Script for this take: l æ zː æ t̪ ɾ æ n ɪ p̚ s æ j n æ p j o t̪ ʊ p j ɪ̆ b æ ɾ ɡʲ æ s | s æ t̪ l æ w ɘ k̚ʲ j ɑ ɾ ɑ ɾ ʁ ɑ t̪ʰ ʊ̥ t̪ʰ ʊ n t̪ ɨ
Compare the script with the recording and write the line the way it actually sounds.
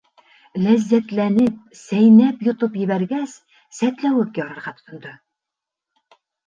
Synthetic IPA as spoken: l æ zː æ t̪ l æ n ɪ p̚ s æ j n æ p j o t̪ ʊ p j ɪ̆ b æ ɾ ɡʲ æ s | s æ t̪ l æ w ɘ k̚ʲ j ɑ ɾ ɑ ɾ ʁ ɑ t̪ʰ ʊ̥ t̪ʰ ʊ n d̪ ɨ